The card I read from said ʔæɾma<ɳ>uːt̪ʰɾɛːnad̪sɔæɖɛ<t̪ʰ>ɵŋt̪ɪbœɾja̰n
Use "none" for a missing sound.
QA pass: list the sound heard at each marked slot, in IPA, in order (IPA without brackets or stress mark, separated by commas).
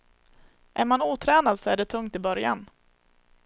n, t̪ʰ